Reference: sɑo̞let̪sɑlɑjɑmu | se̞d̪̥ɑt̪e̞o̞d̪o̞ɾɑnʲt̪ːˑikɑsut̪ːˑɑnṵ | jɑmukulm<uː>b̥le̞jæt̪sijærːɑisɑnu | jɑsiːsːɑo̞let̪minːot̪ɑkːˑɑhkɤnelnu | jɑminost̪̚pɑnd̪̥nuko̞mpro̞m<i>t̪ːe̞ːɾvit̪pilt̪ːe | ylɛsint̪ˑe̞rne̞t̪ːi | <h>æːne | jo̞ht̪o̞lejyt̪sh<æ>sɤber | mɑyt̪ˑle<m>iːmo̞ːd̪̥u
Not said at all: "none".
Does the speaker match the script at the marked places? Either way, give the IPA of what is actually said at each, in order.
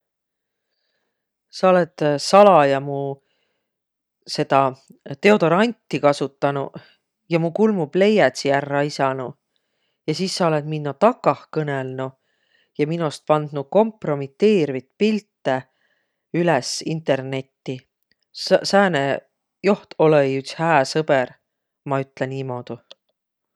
u, i, s, æː, n

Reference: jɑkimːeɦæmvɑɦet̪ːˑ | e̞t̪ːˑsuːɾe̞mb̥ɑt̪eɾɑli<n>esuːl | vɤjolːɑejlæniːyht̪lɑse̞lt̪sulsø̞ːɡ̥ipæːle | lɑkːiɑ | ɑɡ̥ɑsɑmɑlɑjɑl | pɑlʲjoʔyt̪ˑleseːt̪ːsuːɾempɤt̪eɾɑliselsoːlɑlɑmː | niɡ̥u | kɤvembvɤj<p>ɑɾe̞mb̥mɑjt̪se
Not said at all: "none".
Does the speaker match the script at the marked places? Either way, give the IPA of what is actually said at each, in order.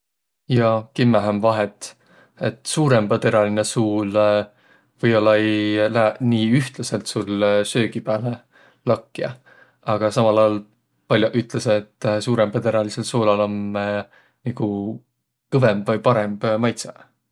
n, p

